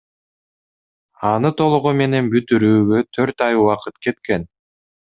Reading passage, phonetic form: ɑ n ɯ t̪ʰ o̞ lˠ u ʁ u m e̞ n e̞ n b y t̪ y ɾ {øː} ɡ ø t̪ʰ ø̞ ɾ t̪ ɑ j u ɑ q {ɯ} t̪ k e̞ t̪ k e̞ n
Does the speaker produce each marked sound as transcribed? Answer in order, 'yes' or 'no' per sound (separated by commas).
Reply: no, yes